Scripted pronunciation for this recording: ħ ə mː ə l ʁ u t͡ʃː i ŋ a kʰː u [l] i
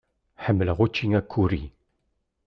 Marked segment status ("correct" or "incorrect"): incorrect